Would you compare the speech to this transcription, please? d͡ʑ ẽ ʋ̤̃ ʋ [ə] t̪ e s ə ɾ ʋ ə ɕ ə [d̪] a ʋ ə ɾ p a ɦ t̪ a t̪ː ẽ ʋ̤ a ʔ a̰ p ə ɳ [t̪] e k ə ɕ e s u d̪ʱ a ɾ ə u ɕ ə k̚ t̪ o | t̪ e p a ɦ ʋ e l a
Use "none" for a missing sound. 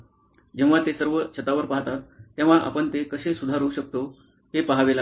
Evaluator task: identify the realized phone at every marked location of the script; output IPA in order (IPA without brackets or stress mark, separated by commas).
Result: a, t̪, t̪